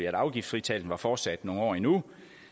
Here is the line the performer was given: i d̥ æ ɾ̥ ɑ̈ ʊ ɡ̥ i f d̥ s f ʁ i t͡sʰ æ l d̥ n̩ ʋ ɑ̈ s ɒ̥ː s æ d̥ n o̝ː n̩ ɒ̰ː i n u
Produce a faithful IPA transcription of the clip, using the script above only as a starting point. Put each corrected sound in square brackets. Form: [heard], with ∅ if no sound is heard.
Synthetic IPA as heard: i [∅] æ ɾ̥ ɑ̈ ʊ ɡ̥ i f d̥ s f ʁ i t͡sʰ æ l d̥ n̩ ʋ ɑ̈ [f] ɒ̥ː s æ d̥ n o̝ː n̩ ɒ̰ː i n u